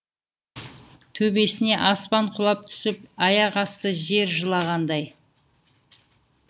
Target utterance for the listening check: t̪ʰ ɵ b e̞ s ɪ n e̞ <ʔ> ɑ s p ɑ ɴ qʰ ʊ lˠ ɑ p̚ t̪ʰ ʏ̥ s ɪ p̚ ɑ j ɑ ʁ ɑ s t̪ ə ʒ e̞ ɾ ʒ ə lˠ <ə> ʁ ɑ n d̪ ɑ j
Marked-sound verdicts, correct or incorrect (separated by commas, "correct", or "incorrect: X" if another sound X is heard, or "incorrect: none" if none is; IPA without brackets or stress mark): correct, incorrect: ɑ